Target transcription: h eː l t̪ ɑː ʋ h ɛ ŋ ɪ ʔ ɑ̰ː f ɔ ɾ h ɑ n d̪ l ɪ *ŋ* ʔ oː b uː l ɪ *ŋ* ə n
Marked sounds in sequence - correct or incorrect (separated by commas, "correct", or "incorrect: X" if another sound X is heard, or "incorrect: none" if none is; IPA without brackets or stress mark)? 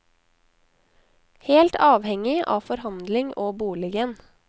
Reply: correct, incorrect: ɡ